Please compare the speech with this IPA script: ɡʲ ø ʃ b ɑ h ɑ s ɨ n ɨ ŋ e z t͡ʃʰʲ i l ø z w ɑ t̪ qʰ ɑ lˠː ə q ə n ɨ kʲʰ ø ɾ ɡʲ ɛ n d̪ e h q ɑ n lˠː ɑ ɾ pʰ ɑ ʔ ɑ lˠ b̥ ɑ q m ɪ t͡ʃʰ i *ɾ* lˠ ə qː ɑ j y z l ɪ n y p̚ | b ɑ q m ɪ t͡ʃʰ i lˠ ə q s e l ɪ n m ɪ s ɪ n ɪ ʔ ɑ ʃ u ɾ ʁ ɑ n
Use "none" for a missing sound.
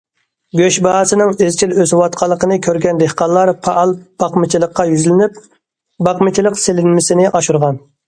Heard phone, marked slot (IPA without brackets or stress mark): none